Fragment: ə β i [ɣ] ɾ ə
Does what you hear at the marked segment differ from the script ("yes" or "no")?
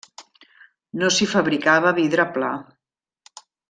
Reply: yes